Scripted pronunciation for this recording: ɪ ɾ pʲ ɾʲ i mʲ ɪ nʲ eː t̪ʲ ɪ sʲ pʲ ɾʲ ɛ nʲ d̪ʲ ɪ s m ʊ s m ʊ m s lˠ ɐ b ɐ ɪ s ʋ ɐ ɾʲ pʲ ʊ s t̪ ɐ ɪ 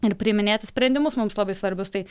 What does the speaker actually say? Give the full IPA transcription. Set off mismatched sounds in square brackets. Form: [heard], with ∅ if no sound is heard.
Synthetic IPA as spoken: ɪ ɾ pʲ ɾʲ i mʲ ɪ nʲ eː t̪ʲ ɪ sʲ pʲ ɾʲ ɛ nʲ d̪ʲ ɪ [∅] m ʊ s m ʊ m s lˠ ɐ b ɐ ɪ s ʋ ɐ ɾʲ [bʲ] ʊ s t̪ ɐ ɪ